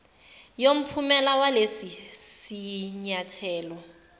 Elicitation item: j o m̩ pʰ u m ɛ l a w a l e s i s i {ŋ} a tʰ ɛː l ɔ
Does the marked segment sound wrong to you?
yes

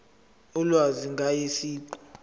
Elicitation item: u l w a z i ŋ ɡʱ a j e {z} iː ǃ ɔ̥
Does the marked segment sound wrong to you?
yes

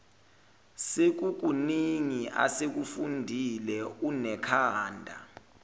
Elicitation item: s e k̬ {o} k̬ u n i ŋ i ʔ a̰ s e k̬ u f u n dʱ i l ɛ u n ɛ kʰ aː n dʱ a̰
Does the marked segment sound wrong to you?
yes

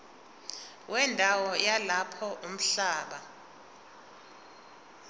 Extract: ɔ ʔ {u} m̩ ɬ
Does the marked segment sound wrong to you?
no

